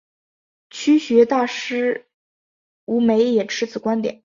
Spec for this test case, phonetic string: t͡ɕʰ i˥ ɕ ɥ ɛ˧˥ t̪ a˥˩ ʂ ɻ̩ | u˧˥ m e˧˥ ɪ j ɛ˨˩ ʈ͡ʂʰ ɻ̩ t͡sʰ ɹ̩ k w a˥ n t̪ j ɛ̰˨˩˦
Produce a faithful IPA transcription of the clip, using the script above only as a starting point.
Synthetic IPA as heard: t͡ɕʰ y˥ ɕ ɥ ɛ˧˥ t̪ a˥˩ ʂ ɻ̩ | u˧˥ m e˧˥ ɪ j ɛ˨˩ ʈ͡ʂʰ ɻ̩ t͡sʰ ɹ̩ k w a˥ n t̪ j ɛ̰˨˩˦